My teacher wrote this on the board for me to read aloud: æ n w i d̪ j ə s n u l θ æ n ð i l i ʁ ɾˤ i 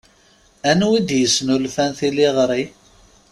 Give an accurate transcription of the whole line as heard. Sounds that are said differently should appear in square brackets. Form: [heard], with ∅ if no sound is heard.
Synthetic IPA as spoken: æ n w i d̪ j ə s n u l [f] æ n [θ] i l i ʁ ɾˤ i